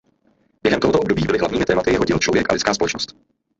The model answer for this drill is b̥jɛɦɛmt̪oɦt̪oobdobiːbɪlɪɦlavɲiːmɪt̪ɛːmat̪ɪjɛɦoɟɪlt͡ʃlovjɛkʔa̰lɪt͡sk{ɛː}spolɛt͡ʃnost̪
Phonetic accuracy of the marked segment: incorrect: aː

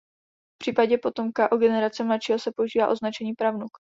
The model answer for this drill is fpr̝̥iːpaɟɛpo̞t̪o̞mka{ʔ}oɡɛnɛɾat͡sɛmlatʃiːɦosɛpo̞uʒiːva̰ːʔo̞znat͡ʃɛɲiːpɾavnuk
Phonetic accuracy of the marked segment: correct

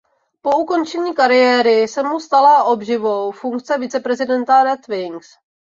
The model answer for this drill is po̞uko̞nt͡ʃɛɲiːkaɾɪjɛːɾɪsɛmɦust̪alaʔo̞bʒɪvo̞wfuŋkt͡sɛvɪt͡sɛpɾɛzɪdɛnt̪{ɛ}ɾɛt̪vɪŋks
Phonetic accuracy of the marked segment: incorrect: a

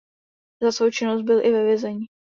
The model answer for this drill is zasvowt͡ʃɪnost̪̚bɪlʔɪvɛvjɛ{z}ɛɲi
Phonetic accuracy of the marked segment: correct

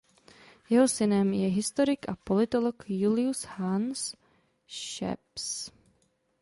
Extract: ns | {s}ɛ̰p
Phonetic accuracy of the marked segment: incorrect: ʃ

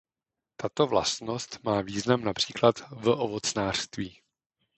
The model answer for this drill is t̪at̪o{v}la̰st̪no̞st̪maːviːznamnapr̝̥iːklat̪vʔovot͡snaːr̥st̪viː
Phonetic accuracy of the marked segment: correct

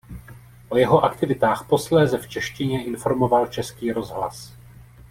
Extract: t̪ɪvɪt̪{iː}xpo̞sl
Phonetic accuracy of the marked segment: incorrect: aː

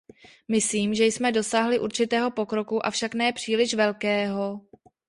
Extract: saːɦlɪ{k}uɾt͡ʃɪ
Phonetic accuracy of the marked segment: incorrect: ʔ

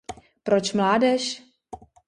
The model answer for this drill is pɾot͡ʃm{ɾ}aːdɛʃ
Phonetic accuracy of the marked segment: incorrect: l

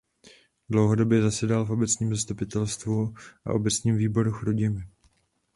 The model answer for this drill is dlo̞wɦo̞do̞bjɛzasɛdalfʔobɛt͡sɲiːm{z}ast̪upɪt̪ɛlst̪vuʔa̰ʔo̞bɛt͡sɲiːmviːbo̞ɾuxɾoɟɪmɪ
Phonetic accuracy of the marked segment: correct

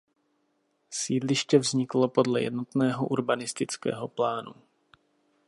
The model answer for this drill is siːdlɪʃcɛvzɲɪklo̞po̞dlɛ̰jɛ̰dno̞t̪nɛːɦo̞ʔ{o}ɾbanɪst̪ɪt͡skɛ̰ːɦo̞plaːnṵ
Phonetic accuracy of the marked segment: incorrect: u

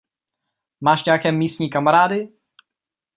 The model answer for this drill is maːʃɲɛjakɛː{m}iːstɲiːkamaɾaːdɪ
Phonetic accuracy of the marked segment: correct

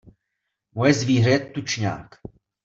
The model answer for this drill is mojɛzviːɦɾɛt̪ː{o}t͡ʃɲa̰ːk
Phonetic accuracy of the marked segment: incorrect: u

